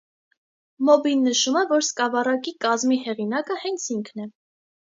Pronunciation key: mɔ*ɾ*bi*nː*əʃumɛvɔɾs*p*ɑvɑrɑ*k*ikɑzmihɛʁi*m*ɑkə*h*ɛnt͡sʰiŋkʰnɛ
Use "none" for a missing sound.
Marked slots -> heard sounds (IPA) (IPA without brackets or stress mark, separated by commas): none, nː, k, k, n, h